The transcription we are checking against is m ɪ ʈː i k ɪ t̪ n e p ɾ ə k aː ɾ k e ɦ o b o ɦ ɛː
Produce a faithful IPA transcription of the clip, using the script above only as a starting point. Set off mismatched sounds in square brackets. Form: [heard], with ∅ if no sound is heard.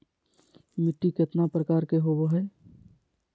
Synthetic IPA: m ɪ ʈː i k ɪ t̪ n [a] p ɾ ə k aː ɾ k e ɦ o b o ɦ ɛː